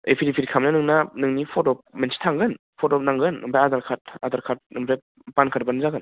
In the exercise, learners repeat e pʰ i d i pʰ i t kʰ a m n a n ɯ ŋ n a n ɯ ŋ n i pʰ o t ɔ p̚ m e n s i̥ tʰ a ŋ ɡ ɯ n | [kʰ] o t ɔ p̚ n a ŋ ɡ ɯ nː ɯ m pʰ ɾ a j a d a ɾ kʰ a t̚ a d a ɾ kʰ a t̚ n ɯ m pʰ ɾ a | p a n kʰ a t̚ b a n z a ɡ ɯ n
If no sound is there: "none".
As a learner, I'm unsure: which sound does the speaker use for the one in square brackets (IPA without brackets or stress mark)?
pʰ